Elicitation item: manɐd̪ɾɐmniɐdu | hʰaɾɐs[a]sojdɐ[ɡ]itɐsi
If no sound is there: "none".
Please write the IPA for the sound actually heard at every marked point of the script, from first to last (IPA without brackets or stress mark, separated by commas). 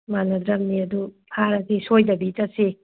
i, b